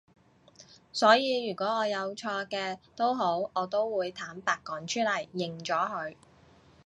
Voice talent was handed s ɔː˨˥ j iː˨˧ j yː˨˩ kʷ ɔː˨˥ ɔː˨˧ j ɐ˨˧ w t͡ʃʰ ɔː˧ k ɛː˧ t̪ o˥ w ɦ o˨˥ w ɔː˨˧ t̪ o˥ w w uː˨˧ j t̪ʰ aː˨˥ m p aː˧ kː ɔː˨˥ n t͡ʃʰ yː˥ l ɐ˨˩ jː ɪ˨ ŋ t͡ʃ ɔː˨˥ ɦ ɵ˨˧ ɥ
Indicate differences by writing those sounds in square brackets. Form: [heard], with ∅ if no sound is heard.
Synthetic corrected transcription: s ɔː˨˥ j iː˨˧ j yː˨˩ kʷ ɔː˨˥ ɔː˨˧ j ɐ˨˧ w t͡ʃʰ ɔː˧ k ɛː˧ t̪ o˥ w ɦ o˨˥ w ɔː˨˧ t̪ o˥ w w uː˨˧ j t̪ʰ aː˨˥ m p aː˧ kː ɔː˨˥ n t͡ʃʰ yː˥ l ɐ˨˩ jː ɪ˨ ŋ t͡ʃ ɔː˨˥ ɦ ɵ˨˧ ɥ